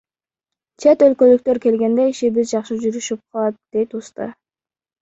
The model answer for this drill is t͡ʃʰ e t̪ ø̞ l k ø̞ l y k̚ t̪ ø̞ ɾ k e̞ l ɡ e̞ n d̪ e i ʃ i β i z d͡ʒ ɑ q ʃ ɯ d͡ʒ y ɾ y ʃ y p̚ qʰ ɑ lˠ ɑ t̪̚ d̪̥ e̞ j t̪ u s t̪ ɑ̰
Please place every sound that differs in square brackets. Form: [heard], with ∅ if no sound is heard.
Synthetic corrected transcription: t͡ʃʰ e t̪ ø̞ l k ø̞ l y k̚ t̪ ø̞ ɾ k e̞ l ɡ e̞ n d̪ e i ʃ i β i z d͡ʒ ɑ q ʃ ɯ d͡ʒ y ɾ y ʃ y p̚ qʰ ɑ lˠ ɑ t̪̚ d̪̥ e̞ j t̪ u s t̪ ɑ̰